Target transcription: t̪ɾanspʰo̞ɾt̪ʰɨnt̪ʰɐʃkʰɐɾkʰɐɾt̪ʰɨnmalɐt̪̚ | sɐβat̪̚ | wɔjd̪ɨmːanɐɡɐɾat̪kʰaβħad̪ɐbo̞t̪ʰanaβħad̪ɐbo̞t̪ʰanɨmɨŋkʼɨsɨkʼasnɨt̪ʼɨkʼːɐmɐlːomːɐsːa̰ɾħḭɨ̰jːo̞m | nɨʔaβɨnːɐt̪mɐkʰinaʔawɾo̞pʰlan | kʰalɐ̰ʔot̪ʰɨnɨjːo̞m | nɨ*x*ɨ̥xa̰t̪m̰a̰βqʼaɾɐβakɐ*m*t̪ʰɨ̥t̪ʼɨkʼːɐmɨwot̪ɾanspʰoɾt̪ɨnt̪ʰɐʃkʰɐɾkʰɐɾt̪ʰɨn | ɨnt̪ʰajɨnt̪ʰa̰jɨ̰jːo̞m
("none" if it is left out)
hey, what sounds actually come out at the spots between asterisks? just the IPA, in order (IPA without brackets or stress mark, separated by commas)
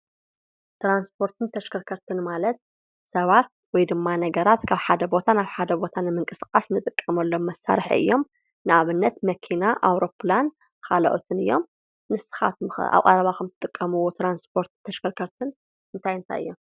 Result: s, m